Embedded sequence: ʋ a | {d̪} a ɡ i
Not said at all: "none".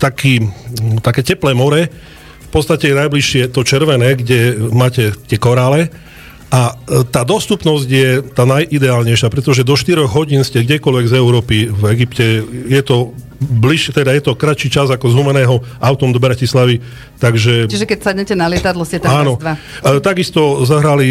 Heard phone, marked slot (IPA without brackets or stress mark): t̪